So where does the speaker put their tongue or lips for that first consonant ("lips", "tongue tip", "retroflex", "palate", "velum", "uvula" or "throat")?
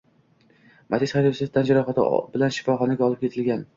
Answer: lips